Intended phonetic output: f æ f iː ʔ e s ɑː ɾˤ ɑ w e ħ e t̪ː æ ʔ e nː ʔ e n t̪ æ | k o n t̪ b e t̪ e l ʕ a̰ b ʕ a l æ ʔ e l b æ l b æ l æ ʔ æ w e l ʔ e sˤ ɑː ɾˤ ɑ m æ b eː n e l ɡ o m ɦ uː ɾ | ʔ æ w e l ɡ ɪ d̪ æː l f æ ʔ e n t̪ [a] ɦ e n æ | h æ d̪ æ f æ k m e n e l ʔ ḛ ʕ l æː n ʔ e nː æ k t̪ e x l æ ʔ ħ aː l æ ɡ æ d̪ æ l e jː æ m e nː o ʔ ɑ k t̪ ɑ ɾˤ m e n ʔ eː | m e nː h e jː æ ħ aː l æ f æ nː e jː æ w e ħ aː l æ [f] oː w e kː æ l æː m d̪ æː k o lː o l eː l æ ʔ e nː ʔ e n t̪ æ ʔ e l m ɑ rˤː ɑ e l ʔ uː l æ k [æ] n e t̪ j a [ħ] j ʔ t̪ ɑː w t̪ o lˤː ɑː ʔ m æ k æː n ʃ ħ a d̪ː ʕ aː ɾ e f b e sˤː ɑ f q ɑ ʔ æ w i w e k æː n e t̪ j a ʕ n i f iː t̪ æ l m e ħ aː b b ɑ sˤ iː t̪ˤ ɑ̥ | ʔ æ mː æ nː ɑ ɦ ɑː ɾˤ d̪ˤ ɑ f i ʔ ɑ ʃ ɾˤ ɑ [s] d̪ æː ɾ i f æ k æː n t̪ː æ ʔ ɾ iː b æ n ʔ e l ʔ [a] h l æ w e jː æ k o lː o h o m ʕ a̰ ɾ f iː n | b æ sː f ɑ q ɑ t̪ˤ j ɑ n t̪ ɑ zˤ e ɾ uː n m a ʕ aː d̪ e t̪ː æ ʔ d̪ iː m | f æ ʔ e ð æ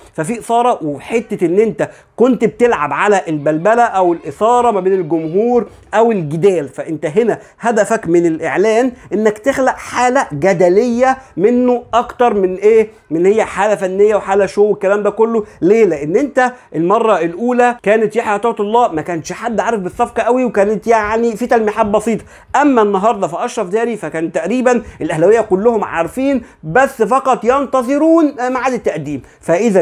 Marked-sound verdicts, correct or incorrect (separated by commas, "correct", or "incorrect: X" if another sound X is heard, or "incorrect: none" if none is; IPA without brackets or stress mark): incorrect: æ, incorrect: ʃ, incorrect: æː, correct, incorrect: f, incorrect: æ